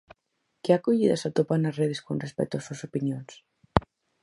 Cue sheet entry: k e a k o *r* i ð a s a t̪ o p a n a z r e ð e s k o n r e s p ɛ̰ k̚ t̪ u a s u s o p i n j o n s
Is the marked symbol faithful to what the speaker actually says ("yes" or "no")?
no